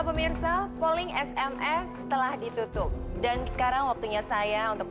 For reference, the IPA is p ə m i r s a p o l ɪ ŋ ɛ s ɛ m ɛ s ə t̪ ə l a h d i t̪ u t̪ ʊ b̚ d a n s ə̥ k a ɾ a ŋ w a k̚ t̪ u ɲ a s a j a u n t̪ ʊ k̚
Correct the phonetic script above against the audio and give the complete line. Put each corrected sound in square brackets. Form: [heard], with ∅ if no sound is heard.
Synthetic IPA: p ə m i r s a p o l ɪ ŋ ɛ s ɛ m ɛ s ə t̪ ə l a h d i t̪ u t̪ ʊ [p̚] d a n s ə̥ k a ɾ a ŋ w a k̚ t̪ u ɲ a s a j a u n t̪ ʊ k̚